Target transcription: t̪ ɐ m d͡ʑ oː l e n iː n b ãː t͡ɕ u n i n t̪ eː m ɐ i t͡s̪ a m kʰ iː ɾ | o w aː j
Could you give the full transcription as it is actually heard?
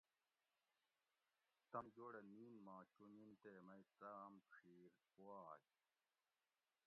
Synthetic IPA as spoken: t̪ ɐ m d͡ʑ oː ɽ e n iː n m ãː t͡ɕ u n i n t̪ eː m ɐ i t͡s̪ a m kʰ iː ɾ | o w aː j